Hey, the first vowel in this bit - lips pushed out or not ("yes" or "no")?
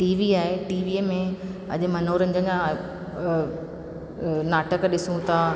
no